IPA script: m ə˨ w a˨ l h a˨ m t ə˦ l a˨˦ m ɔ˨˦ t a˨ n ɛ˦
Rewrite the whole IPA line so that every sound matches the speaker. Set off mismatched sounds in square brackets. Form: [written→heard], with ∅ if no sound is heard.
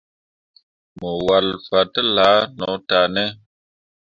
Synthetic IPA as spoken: m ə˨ w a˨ l [h→f] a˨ [m→∅] t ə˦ l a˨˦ [m→n] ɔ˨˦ t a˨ n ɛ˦